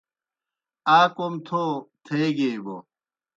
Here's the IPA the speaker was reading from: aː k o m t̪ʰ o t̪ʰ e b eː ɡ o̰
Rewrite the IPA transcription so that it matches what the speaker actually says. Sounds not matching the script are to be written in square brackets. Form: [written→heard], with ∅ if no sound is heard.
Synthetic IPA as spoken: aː k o m t̪ʰ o t̪ʰ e [b→ɡ] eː [ɡ→b] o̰